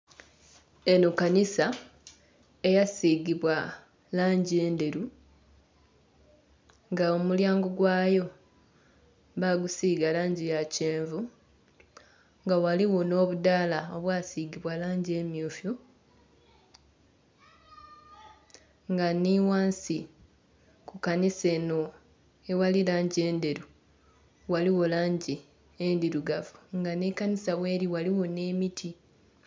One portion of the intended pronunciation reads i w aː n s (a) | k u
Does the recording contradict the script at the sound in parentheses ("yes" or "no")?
yes